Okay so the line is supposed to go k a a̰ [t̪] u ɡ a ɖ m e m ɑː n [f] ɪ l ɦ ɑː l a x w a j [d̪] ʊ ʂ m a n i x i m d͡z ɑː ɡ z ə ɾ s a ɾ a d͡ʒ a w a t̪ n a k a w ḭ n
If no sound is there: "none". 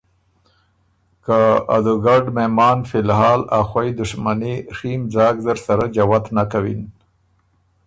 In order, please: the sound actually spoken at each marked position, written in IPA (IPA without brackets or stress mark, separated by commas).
d̪, f, d̪